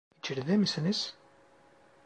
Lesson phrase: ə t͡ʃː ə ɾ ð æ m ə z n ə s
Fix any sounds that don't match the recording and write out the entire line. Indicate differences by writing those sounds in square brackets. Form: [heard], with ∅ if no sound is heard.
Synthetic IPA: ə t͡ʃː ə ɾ ð æ m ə [s] n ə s